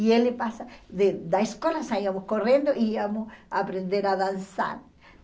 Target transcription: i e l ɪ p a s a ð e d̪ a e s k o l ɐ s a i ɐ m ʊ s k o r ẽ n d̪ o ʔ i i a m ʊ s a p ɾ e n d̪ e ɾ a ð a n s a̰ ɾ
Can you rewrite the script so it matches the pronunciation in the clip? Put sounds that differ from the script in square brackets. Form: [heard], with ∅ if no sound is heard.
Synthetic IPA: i e l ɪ p a s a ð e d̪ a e s k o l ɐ s a i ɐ m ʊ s k o r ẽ n d̪ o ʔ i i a m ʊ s a p ɾ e n d̪ e ɾ a ð a n s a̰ ɾ